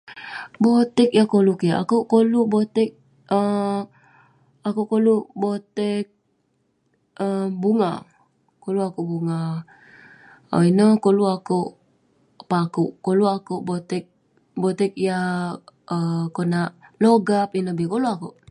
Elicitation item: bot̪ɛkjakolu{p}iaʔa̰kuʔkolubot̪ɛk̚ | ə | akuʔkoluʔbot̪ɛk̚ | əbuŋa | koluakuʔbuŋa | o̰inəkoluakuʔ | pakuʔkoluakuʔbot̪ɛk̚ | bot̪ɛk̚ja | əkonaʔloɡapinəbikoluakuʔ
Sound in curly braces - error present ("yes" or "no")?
yes